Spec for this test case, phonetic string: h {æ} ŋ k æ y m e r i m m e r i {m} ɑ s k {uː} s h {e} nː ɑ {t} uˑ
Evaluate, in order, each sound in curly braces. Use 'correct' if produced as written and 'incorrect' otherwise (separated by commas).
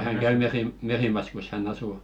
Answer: correct, correct, incorrect, incorrect, incorrect